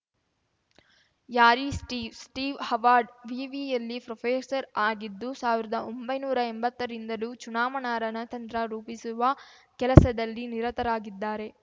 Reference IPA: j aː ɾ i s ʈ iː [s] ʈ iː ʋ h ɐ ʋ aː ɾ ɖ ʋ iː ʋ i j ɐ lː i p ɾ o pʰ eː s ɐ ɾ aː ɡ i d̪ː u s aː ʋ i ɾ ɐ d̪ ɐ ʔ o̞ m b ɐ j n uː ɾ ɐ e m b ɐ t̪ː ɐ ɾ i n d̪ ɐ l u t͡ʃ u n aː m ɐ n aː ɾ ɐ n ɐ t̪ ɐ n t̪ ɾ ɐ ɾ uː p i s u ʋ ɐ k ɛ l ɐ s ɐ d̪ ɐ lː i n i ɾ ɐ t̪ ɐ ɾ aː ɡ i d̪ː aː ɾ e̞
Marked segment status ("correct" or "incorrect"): correct